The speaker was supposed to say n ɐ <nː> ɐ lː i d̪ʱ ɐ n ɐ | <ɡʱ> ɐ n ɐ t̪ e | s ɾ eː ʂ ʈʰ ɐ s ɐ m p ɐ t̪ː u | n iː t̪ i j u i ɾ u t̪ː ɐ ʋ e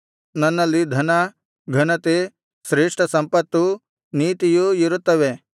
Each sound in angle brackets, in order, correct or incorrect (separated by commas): correct, correct